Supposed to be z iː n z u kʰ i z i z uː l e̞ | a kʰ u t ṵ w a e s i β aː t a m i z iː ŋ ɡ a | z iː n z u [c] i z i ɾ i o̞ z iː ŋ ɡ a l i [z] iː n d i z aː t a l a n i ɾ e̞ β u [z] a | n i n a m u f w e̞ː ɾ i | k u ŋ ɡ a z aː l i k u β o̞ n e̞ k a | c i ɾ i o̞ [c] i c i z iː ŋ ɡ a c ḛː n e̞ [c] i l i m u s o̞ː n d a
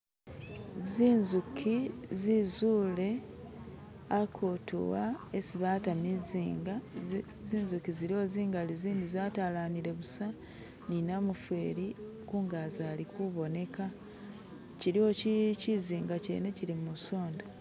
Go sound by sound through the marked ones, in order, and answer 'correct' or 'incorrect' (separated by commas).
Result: incorrect, correct, incorrect, correct, correct